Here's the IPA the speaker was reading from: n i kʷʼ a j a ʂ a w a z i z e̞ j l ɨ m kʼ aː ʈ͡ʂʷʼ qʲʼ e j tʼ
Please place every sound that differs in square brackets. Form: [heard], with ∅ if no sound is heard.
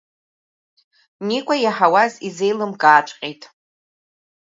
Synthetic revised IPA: n i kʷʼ a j a [ħ] a w a z i z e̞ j l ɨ m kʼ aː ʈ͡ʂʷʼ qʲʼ e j tʼ